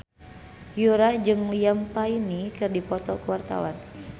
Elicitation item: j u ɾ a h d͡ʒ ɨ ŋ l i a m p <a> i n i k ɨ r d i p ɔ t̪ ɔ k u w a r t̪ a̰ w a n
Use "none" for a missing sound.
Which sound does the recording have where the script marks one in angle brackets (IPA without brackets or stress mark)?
a